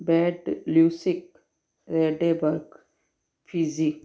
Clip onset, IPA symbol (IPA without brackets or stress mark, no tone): b